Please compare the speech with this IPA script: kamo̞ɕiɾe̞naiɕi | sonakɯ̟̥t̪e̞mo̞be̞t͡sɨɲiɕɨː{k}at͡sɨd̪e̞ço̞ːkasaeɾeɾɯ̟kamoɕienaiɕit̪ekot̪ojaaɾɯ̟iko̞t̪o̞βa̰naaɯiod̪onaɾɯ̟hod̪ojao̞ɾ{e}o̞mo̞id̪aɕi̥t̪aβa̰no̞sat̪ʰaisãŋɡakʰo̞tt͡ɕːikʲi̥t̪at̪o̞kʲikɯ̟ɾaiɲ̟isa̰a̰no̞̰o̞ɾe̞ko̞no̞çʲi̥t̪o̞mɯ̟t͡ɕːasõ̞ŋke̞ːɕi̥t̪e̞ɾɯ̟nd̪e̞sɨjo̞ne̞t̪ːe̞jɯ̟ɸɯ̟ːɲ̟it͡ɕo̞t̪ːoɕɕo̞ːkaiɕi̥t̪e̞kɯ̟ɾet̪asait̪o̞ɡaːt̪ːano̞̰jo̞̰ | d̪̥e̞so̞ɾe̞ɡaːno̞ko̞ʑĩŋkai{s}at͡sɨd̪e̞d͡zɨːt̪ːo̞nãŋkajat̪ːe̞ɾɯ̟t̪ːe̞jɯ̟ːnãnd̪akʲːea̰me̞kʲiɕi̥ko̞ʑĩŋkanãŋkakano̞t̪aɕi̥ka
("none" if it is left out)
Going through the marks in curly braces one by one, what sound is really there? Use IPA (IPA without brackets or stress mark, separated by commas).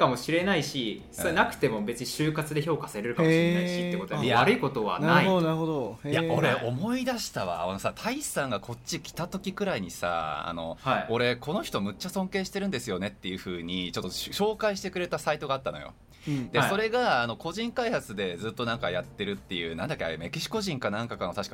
k, e, h